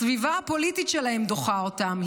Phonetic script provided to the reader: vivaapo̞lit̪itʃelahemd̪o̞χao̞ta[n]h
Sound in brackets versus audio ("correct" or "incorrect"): incorrect